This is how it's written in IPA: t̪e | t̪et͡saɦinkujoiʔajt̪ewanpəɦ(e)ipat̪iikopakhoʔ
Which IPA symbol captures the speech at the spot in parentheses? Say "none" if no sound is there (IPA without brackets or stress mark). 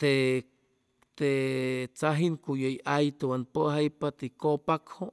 a